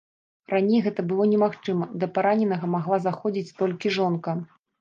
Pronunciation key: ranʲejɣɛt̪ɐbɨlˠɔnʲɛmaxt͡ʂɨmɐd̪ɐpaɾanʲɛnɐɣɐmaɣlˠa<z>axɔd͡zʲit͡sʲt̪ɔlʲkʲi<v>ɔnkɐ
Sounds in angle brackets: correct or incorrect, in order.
correct, incorrect: ʐ

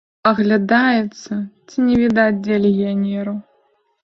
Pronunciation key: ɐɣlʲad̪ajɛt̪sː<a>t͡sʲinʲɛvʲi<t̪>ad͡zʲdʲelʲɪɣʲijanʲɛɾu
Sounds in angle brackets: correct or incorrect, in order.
incorrect: ɐ, incorrect: d̪

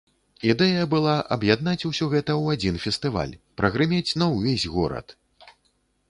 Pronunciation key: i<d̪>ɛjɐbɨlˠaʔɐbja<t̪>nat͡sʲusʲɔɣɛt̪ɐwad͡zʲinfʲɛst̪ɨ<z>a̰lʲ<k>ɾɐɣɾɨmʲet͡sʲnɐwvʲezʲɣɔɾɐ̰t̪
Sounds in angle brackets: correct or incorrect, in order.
correct, incorrect: d̪, incorrect: v, incorrect: p

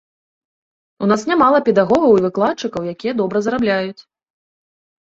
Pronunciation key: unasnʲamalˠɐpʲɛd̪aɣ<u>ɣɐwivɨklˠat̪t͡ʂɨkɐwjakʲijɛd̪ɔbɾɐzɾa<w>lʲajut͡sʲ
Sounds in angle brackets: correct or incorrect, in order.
incorrect: ɔ, incorrect: b

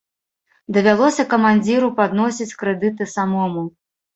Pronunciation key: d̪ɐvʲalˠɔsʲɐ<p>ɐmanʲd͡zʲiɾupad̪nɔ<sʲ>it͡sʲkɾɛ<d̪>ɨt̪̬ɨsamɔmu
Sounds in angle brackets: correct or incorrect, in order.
incorrect: k, correct, correct

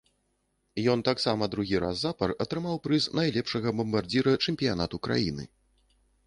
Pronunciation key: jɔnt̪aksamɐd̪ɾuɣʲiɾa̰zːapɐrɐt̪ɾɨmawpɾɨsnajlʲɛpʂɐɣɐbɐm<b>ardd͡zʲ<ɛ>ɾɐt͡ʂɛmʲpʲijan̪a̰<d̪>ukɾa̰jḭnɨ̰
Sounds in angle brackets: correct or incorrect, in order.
correct, incorrect: i, incorrect: t̪

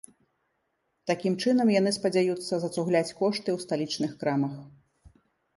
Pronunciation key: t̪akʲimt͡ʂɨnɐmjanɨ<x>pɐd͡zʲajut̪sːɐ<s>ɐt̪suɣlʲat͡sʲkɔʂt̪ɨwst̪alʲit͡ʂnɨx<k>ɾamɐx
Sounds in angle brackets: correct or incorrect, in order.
incorrect: s, incorrect: z, correct

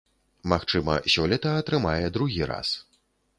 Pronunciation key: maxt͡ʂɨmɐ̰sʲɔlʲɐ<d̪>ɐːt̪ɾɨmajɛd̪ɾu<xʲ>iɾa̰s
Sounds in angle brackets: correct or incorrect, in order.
incorrect: t̪, incorrect: ɣʲ

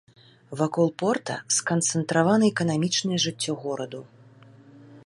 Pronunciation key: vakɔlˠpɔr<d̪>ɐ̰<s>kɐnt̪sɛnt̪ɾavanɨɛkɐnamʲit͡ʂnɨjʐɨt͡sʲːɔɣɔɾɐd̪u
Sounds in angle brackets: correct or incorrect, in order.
incorrect: t̪, correct

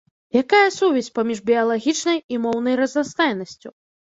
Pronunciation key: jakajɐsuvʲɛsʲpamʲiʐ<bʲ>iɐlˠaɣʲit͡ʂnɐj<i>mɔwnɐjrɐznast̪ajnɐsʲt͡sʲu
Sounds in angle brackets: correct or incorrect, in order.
correct, correct

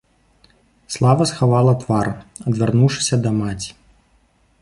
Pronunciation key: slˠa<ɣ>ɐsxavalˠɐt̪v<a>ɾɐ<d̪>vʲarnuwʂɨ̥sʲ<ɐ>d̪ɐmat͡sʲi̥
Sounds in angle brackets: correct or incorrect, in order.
incorrect: v, correct, correct, correct

